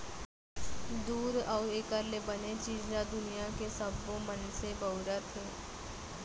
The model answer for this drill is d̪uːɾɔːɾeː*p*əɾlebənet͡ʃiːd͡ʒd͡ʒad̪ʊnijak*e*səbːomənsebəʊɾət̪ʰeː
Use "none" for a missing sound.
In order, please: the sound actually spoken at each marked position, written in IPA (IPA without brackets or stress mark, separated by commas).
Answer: k, e